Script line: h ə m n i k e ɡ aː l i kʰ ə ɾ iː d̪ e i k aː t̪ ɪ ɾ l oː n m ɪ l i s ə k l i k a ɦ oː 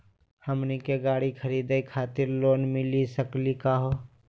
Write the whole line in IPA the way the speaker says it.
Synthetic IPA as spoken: h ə m n i k e ɡ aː ɽ i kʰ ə ɾ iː d̪ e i kʰ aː t̪ ɪ ɾ l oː n m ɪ l i s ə k l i k a ɦ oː